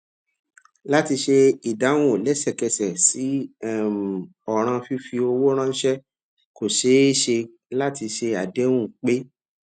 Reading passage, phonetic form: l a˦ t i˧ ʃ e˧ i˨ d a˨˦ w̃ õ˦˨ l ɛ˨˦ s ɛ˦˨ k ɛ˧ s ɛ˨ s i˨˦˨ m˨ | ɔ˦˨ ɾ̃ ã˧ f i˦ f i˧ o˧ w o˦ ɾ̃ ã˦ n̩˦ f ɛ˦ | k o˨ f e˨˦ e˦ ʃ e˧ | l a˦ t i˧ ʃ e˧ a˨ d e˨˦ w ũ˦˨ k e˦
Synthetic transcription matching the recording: l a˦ t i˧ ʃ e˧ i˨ d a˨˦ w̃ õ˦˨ l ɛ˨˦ s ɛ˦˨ k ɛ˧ s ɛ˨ s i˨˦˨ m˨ | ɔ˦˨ ɾ̃ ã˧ f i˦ f i˧ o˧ w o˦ ɾ̃ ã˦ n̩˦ ʃ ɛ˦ | k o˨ ʃ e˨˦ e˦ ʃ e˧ | l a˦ t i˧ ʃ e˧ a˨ d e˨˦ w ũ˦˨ k͡p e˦